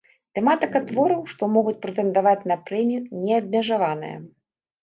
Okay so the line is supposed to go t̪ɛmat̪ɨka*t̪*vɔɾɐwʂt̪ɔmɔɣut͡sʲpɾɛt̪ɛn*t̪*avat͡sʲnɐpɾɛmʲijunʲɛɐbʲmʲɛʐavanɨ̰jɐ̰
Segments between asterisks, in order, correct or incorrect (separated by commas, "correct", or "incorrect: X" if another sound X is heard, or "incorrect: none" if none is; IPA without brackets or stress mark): correct, incorrect: d̪